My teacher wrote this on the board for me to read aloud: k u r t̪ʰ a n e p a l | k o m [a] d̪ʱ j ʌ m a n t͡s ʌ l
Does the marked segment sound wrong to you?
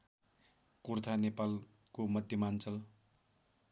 yes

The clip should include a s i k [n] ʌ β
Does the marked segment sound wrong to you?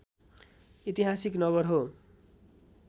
no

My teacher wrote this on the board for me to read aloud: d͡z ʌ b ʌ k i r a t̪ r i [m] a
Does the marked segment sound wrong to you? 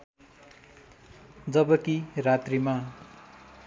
no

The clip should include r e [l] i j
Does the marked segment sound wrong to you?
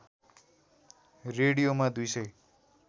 yes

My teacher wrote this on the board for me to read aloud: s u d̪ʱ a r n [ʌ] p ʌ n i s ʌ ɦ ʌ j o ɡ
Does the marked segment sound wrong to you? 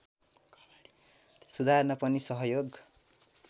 no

